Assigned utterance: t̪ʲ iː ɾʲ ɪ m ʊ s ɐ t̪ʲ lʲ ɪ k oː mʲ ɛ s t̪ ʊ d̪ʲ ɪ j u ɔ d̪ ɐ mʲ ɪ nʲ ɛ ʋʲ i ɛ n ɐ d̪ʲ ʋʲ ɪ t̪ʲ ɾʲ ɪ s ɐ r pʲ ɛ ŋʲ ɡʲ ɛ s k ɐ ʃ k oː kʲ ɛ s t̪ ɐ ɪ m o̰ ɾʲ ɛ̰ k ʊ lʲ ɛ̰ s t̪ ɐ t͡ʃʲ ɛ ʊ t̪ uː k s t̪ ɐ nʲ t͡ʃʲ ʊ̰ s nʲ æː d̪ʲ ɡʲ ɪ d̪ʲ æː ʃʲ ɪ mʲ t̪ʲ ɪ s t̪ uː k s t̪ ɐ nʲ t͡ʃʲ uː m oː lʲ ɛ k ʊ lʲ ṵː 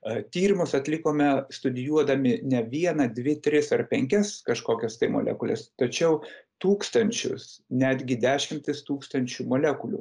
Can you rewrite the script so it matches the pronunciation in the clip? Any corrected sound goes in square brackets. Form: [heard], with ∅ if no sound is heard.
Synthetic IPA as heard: t̪ʲ iː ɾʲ ɪ m ʊ s ɐ t̪ʲ lʲ ɪ k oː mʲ ɛ s t̪ ʊ d̪ʲ ɪ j u ɔ d̪ ɐ mʲ ɪ nʲ ɛ ʋʲ i ɛ n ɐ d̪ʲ ʋʲ ɪ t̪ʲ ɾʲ ɪ s ɐ r pʲ ɛ ŋʲ [kʲ] ɛ s k ɐ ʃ k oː kʲ ɛ s t̪ ɐ ɪ m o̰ [lʲ] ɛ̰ k ʊ lʲ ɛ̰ s t̪ ɐ t͡ʃʲ ɛ ʊ t̪ uː k s t̪ ɐ nʲ t͡ʃʲ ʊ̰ s nʲ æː d̪ʲ ɡʲ ɪ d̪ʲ æː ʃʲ ɪ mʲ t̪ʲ ɪ s t̪ uː k s t̪ ɐ nʲ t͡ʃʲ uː m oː lʲ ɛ k ʊ lʲ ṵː